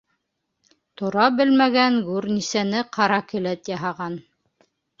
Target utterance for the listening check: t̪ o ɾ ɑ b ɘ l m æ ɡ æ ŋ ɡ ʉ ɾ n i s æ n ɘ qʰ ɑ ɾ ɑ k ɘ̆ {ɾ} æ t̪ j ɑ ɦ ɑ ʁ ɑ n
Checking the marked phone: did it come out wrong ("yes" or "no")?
yes